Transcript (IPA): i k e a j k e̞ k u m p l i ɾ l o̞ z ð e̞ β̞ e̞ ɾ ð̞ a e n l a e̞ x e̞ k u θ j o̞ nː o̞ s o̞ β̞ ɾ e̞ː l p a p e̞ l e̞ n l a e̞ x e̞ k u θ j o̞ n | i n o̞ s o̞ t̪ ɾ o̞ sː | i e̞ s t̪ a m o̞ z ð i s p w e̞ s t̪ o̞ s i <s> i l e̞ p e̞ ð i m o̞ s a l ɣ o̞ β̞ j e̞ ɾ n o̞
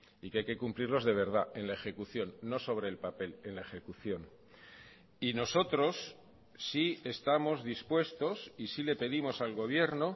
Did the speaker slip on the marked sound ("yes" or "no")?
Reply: no